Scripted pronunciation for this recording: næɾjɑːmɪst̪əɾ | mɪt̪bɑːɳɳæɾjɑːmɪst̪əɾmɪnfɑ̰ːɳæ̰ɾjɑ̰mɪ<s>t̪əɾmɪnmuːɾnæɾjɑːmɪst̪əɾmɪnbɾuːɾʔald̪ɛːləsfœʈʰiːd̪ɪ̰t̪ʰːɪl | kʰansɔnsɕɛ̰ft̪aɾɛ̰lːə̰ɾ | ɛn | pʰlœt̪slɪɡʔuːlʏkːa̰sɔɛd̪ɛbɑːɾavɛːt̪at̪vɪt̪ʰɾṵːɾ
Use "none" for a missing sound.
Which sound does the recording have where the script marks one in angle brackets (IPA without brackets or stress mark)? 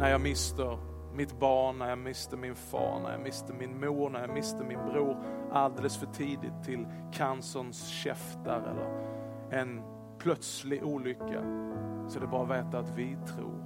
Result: s